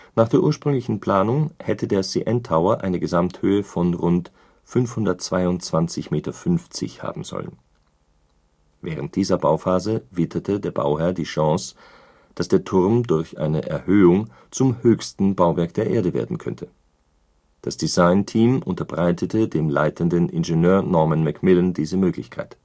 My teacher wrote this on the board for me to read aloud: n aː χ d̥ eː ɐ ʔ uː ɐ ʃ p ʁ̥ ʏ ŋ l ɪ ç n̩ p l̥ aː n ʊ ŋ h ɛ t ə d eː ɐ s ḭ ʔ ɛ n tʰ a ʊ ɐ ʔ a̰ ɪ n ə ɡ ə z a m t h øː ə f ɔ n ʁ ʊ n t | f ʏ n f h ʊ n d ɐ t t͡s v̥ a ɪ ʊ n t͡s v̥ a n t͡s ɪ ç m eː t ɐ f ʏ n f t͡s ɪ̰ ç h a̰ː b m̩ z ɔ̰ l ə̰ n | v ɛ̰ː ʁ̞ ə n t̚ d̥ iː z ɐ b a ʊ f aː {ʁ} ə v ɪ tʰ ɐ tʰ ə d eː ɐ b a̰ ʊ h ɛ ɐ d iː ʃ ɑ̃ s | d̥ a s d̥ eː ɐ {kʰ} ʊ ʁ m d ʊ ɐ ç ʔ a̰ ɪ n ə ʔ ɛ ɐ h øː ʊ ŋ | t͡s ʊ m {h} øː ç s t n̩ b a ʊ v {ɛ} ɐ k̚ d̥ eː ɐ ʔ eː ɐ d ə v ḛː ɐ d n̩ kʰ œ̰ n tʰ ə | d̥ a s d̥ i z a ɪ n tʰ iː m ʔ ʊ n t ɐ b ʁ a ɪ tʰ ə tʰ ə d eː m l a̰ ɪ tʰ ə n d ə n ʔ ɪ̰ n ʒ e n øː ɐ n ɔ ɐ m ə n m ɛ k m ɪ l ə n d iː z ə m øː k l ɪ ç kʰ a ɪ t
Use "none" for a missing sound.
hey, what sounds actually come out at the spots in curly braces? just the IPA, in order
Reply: z, tʰ, h, ɛ

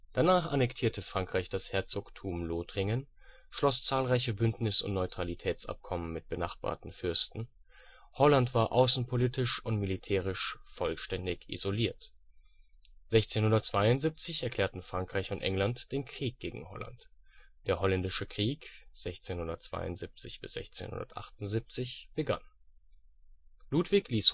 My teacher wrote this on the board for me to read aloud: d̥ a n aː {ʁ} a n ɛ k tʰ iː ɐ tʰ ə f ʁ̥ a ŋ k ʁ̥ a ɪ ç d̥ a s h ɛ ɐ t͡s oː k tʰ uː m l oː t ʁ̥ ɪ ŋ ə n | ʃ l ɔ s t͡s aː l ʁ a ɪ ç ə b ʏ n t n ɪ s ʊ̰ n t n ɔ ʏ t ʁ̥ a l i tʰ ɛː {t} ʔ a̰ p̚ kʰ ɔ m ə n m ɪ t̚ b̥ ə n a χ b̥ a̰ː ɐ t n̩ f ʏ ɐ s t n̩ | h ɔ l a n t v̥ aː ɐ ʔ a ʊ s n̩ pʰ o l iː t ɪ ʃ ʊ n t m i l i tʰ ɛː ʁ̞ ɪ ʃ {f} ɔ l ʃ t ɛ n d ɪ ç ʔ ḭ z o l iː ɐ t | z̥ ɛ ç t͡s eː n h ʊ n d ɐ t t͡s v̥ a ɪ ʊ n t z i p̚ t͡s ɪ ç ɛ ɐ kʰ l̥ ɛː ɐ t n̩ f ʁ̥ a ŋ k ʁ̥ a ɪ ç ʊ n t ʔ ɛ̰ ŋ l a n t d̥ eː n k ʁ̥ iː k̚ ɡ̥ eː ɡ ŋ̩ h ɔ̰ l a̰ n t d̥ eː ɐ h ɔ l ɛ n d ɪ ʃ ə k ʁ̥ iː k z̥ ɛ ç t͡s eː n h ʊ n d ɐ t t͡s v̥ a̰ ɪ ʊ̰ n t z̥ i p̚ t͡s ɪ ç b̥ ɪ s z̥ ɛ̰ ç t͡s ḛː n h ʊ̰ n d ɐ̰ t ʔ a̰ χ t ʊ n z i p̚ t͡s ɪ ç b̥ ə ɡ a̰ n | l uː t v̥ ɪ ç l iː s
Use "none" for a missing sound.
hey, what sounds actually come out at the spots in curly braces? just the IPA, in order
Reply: χ, t͡s, f

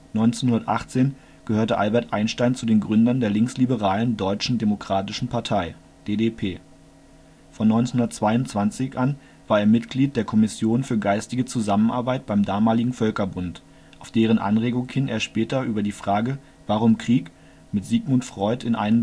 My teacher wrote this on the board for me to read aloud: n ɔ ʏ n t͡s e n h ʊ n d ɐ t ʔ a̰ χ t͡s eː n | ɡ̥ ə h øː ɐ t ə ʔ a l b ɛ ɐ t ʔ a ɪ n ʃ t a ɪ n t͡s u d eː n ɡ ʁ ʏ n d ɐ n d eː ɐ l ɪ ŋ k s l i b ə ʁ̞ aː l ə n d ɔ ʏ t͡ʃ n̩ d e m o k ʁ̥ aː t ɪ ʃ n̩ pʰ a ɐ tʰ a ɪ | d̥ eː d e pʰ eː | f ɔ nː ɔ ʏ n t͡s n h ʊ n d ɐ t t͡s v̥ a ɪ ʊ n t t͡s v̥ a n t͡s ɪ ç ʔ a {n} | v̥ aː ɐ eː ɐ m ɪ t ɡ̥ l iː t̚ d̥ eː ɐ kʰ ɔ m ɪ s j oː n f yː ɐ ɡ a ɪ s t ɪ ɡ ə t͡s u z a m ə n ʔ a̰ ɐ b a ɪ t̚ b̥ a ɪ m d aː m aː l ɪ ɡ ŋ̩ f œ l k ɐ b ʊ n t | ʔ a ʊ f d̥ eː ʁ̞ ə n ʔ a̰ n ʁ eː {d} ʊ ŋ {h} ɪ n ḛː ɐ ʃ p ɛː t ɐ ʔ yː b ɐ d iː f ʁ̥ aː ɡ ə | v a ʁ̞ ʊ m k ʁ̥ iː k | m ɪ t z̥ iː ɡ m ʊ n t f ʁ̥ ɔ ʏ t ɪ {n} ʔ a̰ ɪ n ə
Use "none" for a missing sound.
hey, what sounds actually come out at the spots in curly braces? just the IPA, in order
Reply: n, ɡ, h, n

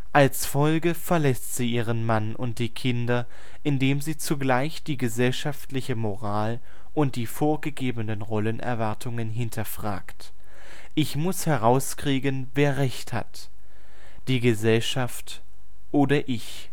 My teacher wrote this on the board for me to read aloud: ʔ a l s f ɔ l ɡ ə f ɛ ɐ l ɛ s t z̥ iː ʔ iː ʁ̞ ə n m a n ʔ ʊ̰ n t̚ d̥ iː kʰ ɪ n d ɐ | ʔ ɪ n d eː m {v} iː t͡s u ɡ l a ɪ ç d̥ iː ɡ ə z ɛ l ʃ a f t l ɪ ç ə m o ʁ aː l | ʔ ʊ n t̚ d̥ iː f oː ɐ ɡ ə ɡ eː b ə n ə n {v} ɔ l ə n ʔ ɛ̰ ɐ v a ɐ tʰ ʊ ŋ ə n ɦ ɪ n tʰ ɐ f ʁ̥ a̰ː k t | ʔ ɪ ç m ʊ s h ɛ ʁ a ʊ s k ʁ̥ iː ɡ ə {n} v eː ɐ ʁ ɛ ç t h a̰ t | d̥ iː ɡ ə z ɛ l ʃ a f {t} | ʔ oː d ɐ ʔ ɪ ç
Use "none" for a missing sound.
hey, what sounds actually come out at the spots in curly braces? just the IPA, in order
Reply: z, ʁ, n, t

